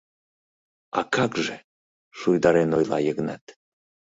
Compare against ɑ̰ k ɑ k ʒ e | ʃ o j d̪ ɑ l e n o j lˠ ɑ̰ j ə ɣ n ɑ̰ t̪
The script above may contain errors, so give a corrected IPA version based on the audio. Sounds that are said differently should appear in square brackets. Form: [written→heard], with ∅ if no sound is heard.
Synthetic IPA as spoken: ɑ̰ k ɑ k ʒ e | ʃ [o→u] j d̪ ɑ [l→ɾ] e n o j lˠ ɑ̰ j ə ɣ n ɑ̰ t̪